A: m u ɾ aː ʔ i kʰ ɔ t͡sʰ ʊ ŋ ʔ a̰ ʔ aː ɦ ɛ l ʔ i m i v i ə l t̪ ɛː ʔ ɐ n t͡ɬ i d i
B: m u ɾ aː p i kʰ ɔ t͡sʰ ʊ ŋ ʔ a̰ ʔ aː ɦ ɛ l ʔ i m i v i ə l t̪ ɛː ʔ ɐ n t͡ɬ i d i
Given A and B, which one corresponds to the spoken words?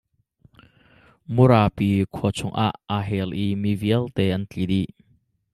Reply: B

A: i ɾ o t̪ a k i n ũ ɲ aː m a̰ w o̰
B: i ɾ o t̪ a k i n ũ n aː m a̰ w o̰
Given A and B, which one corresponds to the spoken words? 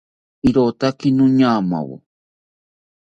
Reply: A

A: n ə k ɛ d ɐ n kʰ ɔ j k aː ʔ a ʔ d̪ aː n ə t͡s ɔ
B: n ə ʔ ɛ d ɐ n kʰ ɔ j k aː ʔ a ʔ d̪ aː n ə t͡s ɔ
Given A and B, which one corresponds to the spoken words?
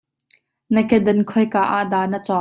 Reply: A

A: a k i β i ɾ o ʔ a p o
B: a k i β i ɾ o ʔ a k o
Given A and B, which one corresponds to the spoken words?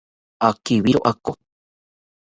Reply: B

